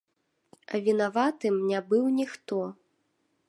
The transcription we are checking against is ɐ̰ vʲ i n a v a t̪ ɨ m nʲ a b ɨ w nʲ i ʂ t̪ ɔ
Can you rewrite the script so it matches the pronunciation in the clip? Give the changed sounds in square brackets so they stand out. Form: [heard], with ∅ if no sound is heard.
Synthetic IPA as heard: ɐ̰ vʲ i n a v a t̪ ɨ m nʲ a b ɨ w nʲ i [x] t̪ ɔ